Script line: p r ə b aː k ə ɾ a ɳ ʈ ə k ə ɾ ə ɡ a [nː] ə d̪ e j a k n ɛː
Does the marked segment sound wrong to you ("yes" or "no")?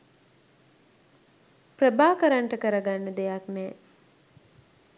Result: no